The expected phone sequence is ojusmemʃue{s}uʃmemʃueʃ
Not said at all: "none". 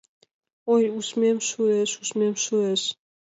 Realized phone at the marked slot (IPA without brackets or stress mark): ʃ